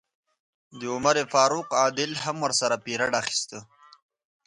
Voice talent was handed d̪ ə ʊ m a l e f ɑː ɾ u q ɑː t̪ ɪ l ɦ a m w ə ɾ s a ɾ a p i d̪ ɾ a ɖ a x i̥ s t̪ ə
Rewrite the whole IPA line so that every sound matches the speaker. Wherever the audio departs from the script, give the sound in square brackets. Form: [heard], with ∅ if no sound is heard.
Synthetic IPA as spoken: d̪ ə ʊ m a [ɾ] e f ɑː ɾ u q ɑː [d̪] ɪ l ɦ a m w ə ɾ s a ɾ a p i [∅] ɾ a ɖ a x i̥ s t̪ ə